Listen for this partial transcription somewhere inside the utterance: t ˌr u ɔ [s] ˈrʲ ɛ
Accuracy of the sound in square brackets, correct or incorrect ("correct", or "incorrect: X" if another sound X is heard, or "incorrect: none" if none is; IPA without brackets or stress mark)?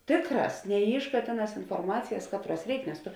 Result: correct